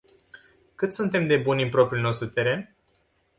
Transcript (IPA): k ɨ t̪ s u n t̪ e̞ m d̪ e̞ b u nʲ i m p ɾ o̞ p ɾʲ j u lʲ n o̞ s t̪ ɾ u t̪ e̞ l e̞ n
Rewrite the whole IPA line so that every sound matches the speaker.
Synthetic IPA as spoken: k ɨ t̪ s u n t̪ e̞ m d̪ e̞ b u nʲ i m p ɾ o̞ p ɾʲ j u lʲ n o̞ s t̪ ɾ u t̪ e̞ ɾ e̞ n